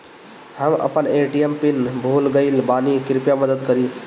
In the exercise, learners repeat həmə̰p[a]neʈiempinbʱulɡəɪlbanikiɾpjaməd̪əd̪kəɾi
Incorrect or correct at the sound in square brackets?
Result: incorrect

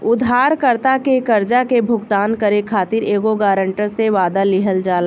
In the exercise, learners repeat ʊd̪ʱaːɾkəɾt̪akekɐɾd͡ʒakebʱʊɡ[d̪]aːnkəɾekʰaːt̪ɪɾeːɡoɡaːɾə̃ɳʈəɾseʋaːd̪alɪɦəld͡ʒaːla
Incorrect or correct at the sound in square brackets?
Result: incorrect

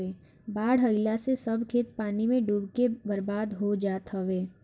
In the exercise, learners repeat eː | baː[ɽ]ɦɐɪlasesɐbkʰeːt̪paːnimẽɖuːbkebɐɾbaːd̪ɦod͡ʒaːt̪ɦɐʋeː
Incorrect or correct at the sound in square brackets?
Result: correct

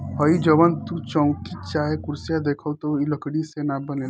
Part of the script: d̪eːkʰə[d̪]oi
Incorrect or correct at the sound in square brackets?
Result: incorrect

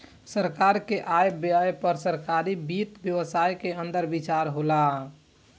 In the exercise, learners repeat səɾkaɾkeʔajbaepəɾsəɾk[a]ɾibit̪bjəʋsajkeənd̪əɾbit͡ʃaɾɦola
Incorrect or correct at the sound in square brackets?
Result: correct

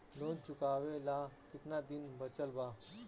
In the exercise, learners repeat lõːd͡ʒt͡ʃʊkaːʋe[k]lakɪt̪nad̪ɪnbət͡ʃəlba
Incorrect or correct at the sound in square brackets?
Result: incorrect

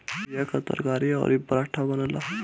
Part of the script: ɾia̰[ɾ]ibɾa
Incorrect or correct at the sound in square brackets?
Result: correct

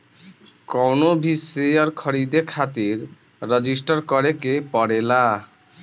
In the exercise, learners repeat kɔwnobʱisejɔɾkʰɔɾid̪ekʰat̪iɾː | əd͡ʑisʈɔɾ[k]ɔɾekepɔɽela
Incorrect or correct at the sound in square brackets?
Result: correct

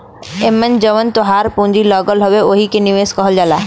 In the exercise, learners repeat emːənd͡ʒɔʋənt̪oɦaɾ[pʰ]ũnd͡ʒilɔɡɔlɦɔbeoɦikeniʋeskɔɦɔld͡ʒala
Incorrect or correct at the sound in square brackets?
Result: incorrect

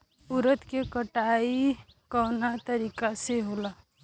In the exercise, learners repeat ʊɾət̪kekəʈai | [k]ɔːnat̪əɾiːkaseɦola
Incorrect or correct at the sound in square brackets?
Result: correct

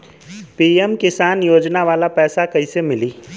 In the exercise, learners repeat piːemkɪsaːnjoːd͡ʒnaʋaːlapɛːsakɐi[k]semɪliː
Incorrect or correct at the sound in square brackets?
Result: incorrect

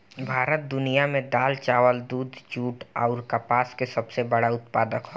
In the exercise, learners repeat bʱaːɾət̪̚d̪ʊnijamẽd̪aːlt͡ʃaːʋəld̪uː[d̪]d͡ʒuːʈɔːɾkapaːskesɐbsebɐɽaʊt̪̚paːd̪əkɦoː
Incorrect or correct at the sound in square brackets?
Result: correct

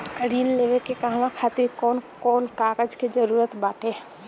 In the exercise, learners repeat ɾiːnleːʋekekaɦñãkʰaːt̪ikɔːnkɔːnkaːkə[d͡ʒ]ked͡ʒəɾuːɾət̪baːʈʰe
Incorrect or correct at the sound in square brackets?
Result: correct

